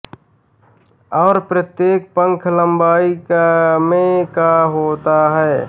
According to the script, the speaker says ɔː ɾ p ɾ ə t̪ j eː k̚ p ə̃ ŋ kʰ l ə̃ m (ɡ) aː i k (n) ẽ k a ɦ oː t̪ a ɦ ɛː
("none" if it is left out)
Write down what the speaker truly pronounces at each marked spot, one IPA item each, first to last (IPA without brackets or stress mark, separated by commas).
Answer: b, m